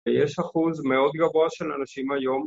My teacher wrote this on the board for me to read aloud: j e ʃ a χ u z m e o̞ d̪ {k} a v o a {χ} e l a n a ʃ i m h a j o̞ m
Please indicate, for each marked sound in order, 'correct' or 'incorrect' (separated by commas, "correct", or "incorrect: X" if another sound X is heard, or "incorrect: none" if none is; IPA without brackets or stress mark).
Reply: incorrect: ɡ, incorrect: ʃ